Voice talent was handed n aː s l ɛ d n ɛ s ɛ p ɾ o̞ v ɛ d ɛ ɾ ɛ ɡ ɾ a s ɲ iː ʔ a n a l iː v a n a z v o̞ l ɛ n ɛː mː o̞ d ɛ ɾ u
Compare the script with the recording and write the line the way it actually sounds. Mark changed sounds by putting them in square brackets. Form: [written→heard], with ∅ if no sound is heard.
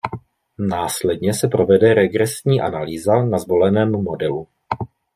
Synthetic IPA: n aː s l ɛ d [n→ɲ] ɛ s ɛ p ɾ o̞ v ɛ d ɛ ɾ ɛ ɡ ɾ [a→ɛ] s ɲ iː ʔ a n a l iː [v→z] a n a z v o̞ l ɛ n ɛː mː o̞ d ɛ [ɾ→l] u